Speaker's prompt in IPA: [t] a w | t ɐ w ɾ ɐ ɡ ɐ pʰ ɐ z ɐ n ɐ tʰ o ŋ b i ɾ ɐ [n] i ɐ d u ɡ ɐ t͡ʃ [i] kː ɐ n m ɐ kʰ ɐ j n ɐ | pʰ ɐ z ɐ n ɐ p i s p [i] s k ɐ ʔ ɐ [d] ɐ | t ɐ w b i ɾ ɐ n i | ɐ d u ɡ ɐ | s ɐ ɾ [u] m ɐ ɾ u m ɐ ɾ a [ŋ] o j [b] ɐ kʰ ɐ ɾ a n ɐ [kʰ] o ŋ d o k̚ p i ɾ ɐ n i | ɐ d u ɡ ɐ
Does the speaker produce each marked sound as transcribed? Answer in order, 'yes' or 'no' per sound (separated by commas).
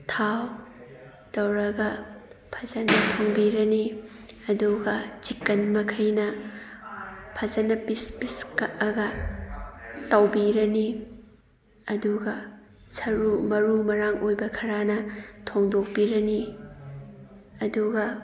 no, yes, yes, yes, no, yes, yes, yes, no